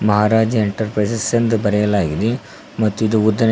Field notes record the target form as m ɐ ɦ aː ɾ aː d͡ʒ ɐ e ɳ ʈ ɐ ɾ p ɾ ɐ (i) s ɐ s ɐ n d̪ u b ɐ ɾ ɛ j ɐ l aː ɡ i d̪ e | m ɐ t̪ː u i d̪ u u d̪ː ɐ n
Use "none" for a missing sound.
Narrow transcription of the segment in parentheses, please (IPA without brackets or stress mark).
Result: j